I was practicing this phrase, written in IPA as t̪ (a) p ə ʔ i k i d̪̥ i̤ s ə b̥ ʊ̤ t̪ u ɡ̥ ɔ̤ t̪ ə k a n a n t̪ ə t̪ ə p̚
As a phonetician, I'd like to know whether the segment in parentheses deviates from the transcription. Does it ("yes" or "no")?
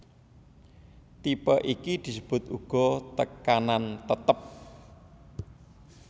yes